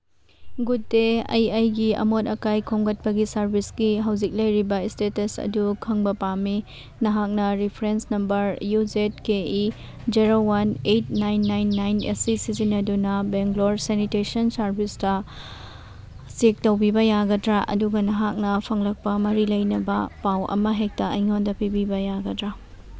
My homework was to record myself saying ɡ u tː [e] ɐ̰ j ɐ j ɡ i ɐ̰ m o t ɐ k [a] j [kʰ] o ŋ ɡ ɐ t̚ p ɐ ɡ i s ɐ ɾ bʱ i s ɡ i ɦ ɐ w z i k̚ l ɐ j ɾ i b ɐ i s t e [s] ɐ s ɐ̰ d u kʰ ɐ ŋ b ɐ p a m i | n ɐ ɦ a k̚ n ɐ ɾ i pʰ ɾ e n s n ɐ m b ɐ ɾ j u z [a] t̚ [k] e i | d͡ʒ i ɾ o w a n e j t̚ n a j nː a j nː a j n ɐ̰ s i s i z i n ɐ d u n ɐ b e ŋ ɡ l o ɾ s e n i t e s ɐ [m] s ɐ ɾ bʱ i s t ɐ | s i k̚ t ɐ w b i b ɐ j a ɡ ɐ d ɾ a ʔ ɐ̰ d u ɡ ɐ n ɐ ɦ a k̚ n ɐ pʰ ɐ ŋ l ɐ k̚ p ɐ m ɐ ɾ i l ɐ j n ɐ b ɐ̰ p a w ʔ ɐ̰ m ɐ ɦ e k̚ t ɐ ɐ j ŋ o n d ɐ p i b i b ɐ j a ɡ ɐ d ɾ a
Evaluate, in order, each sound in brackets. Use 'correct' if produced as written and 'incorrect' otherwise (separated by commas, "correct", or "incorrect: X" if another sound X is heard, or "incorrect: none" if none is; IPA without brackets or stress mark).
correct, correct, correct, incorrect: t, incorrect: e, correct, incorrect: n